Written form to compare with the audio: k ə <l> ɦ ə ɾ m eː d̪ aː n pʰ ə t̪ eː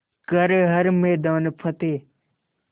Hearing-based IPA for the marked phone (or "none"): ɾ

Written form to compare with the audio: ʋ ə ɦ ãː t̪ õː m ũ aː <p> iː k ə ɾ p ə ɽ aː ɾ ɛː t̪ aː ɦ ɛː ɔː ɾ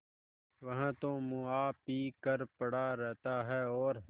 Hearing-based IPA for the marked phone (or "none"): p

